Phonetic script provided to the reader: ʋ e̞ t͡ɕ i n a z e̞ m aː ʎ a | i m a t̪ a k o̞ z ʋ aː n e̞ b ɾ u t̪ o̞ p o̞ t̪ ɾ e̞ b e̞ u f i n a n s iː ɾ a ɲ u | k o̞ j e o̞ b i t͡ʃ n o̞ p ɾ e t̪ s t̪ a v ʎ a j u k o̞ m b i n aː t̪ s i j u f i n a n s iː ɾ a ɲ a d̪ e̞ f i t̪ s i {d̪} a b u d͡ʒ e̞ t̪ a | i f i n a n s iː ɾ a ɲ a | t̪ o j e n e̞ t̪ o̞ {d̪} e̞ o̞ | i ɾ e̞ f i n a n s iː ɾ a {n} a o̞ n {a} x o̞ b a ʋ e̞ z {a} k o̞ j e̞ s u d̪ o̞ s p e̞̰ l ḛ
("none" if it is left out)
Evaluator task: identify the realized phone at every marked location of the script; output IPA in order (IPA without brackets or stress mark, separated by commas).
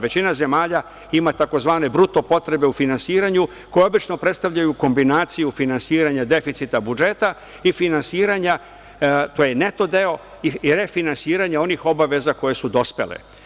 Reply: t̪, d̪, ɲ, i, a